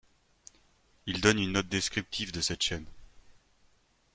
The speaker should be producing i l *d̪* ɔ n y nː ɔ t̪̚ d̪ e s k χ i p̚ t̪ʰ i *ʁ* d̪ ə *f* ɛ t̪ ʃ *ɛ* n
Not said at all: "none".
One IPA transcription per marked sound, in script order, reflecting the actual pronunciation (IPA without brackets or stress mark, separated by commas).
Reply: d̪, v, s, ɛ